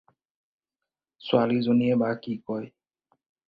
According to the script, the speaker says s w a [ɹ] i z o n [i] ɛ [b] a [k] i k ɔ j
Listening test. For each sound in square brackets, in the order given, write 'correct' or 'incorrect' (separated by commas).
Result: incorrect, correct, correct, correct